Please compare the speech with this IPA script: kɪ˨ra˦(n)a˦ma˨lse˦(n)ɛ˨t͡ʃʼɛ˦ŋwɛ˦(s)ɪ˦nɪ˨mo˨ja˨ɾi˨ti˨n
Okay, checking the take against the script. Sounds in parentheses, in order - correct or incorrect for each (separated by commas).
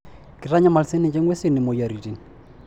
incorrect, correct, correct